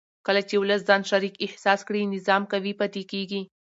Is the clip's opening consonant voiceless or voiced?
voiceless